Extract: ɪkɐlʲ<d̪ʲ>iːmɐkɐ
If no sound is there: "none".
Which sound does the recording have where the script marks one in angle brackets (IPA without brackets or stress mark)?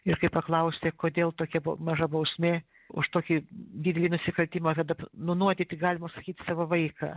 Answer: t̪ʲ